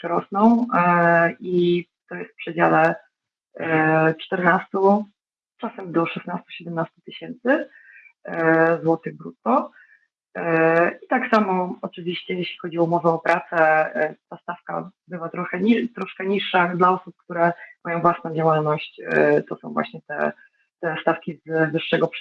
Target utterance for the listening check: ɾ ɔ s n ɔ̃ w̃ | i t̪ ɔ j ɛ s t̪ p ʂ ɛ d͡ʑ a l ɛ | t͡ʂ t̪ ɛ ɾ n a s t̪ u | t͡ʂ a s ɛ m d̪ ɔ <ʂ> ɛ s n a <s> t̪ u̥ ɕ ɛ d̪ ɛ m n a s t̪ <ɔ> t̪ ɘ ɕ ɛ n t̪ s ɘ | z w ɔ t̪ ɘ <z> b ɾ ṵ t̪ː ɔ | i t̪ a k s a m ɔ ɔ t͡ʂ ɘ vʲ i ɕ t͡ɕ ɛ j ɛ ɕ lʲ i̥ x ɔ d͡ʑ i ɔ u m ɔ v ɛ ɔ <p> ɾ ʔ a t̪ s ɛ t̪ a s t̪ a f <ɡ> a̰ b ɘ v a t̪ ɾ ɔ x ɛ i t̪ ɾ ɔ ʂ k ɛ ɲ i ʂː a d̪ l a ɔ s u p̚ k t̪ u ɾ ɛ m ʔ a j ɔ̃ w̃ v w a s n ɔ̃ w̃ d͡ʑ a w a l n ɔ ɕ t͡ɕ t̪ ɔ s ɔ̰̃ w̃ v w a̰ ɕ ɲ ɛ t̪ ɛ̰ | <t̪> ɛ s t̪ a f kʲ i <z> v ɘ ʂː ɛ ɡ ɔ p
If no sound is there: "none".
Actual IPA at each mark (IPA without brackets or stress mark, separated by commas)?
ʂ, s, u, ɣ, p, k, t̪, z